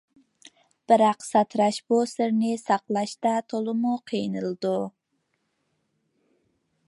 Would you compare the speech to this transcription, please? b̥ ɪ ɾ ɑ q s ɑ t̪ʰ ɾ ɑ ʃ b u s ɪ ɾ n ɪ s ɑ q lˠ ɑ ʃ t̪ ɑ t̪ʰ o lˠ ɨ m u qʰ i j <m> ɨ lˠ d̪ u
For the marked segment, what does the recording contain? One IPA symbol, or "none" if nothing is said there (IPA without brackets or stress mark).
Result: n